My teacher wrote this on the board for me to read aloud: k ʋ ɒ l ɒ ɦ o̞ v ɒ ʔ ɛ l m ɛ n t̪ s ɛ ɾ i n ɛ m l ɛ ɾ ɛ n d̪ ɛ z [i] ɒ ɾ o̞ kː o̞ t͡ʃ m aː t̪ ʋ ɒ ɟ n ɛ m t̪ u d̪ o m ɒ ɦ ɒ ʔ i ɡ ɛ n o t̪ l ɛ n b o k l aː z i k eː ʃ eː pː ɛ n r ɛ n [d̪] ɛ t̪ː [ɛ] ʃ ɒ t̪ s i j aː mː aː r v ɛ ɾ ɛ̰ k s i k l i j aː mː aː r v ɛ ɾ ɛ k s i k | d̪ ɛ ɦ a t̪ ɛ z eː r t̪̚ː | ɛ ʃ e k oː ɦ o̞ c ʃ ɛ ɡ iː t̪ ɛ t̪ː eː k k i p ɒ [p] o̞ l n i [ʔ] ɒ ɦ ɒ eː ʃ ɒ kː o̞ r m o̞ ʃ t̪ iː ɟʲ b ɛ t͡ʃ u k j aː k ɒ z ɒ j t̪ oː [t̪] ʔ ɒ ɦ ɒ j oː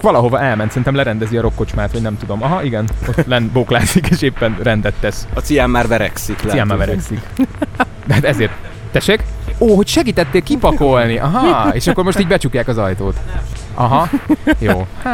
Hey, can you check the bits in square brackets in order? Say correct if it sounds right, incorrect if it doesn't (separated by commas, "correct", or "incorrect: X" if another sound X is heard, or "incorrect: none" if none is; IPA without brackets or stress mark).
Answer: correct, correct, correct, incorrect: k, correct, correct